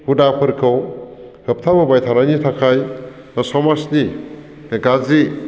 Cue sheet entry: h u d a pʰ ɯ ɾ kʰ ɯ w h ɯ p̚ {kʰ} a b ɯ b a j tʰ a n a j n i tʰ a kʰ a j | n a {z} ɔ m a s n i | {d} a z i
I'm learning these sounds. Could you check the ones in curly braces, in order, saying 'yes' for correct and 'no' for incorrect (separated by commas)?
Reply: no, no, no